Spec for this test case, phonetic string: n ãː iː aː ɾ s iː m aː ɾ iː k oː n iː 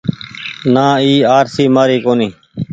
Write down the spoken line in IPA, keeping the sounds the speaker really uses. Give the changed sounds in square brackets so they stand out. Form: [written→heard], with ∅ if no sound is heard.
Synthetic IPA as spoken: n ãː iː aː ɾ s iː m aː ɾ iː k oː n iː